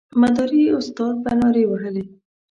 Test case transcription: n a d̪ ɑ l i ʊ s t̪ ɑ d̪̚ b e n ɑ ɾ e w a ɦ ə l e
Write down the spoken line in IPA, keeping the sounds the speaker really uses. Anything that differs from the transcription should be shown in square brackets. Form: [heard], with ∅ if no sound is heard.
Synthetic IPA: [m] a d̪ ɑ [ɾ] i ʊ s t̪ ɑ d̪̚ b [a] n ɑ ɾ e w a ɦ ə l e